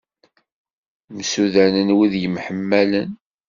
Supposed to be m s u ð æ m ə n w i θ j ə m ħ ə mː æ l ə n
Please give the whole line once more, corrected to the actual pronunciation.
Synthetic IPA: m s u ð æ n ə n w i ð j ə m ħ ə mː æ l ə n